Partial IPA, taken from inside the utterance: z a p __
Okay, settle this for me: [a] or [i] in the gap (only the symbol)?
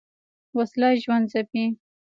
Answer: i